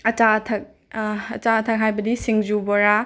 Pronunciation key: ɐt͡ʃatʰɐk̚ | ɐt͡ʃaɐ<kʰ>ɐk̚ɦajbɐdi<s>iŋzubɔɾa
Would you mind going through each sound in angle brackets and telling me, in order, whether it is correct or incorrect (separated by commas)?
incorrect, correct